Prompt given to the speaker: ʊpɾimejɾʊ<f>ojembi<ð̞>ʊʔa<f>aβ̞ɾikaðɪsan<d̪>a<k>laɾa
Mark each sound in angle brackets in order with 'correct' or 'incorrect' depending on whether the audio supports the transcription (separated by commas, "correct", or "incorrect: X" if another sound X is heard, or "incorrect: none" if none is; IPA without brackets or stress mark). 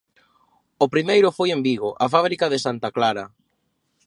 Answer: correct, incorrect: ɣ̞, correct, incorrect: t̪, correct